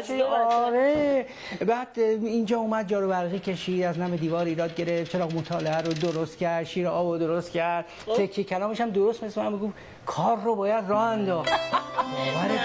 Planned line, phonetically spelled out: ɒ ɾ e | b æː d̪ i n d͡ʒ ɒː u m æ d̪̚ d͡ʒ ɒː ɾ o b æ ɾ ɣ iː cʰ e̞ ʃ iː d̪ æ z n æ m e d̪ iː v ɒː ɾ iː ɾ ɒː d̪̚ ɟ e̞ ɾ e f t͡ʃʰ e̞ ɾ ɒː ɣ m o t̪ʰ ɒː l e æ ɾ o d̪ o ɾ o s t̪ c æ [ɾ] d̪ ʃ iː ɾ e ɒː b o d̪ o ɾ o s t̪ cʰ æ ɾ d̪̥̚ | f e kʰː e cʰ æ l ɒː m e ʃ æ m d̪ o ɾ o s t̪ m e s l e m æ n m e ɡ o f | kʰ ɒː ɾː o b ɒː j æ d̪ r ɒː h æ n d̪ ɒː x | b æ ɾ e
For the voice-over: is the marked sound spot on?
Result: yes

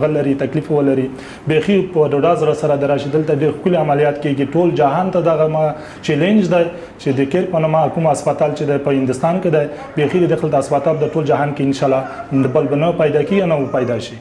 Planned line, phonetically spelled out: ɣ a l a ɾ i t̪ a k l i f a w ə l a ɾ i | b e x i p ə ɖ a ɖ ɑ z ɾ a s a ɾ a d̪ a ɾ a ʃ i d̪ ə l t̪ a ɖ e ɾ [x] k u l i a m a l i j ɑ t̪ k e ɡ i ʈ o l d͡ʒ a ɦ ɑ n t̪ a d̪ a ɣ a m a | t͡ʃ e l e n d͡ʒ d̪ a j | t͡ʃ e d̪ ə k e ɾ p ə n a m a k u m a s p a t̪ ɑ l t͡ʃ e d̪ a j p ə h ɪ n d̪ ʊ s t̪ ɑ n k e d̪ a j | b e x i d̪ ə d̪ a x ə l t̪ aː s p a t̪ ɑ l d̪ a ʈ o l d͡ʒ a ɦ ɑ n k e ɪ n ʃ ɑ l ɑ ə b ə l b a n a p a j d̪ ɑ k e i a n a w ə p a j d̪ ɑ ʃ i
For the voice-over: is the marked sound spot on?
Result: yes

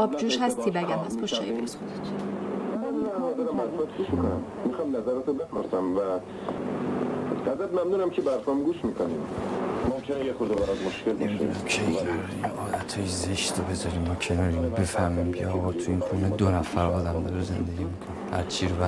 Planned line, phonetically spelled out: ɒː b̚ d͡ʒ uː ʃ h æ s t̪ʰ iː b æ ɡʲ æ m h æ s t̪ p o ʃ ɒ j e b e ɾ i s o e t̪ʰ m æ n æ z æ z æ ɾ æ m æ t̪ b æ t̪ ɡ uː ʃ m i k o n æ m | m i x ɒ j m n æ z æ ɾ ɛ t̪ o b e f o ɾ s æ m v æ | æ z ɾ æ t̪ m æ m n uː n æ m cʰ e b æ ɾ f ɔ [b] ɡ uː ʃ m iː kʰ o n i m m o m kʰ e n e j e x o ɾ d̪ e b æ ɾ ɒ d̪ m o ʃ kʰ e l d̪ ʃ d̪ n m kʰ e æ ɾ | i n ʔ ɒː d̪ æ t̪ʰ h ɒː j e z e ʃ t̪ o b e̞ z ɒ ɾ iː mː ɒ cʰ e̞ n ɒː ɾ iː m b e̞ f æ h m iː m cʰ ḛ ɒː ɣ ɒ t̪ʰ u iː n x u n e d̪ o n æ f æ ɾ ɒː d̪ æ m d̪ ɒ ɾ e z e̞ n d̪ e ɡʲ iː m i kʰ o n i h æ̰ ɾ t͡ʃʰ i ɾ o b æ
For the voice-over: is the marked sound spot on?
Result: no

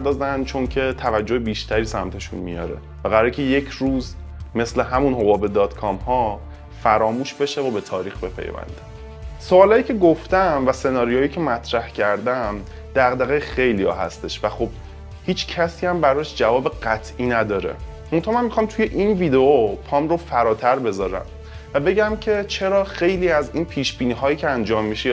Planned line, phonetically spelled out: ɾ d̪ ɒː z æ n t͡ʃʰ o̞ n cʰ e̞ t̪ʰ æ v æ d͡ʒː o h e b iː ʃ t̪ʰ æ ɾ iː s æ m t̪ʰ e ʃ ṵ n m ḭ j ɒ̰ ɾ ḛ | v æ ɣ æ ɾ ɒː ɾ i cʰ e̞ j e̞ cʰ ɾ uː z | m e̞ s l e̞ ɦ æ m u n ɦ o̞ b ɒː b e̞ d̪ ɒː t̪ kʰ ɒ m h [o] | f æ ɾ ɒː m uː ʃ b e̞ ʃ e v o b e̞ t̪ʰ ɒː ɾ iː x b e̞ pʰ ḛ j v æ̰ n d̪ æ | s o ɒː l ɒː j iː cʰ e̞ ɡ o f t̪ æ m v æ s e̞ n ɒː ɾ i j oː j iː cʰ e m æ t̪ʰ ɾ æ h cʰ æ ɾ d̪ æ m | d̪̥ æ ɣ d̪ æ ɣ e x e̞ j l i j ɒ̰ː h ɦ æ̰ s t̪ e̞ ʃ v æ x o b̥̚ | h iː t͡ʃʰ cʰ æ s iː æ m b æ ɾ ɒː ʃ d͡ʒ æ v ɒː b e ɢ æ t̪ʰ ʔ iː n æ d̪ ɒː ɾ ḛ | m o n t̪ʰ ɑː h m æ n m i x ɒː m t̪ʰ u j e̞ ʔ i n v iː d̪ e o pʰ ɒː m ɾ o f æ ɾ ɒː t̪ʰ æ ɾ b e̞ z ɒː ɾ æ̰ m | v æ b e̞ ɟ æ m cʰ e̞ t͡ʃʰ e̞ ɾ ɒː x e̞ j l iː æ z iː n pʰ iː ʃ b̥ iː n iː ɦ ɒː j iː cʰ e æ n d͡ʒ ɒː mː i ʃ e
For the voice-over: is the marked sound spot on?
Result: no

